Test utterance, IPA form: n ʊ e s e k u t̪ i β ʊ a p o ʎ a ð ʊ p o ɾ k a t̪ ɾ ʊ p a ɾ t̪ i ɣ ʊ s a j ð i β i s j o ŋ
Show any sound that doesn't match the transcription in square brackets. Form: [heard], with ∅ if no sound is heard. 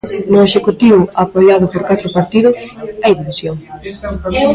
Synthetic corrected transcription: n ʊ e [ʃ] e k u t̪ i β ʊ a p o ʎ a ð ʊ p o ɾ k a t̪ ɾ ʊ p a ɾ t̪ i [ð] ʊ s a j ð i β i s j o ŋ